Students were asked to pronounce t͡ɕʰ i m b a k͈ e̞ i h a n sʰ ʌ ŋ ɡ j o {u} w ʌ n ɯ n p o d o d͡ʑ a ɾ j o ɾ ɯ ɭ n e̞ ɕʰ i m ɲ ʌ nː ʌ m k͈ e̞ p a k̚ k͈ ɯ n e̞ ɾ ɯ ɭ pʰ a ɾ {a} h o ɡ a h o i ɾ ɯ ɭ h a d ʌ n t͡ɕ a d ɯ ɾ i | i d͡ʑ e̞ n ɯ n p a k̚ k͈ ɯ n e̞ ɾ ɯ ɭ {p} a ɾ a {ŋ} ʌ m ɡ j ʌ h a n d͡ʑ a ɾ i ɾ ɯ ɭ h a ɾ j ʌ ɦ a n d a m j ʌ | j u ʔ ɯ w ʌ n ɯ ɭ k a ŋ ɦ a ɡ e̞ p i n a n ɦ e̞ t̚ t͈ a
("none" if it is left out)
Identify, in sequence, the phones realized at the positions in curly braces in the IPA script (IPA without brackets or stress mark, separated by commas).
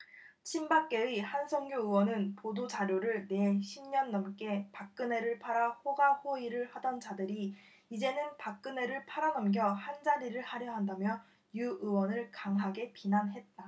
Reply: ɯ, a, pʰ, n